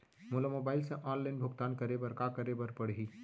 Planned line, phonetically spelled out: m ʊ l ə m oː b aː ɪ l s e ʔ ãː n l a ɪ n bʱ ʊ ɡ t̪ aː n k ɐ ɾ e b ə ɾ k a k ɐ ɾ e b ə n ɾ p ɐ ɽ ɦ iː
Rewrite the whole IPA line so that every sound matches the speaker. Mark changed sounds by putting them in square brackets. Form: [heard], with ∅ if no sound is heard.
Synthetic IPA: m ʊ l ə m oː b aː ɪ l s e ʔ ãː n l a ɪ n bʱ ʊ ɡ t̪ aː n k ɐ ɾ e b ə ɾ k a k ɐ ɾ e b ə [∅] ɾ p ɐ ɽ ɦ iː